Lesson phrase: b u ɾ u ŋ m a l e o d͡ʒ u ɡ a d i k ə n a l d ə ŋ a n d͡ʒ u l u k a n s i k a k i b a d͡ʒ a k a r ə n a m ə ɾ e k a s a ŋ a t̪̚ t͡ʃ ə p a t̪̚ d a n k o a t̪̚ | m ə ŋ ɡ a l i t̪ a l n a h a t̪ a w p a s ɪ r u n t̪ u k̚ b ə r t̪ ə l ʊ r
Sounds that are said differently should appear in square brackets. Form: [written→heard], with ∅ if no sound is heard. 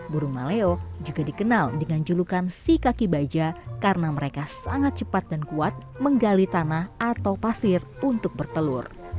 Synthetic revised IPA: b u ɾ u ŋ m a l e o d͡ʒ u ɡ a d i k ə n a l d ə ŋ a n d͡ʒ u l u k a n s i k a k i b a d͡ʒ a k a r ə n a m ə ɾ e k a s a ŋ a t̪̚ t͡ʃ ə p a t̪̚ d a n k [o→u] a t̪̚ | m ə ŋ ɡ a l i t̪ a [l→∅] n a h a t̪ a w p a s ɪ r u n t̪ [u→ʊ] k̚ b ə r t̪ ə l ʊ r